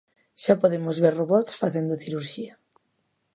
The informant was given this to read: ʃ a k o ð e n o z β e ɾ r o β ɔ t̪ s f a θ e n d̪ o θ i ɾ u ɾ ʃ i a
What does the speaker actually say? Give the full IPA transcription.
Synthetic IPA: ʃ a p o ð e m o z β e ɾ r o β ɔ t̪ s f a θ e n d̪ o θ i ɾ u ɾ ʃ i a